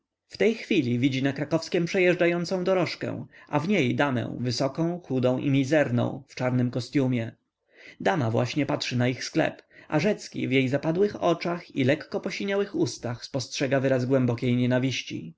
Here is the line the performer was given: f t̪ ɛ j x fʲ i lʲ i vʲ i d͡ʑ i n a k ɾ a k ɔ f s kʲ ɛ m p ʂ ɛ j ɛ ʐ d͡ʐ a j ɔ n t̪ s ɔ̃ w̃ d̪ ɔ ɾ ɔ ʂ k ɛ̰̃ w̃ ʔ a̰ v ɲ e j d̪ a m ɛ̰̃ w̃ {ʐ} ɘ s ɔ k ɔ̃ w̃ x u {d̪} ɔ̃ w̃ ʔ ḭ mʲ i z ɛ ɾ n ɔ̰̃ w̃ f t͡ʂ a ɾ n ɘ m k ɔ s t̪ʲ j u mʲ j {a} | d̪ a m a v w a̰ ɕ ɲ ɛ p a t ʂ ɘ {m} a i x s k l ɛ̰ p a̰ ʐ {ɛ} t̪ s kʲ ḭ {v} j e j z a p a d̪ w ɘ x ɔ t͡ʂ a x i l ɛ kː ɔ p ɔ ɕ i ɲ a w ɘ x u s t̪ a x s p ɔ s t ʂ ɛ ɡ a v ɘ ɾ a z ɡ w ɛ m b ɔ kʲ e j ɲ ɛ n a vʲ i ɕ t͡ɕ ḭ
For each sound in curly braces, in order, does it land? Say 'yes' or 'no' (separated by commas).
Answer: no, yes, no, no, yes, yes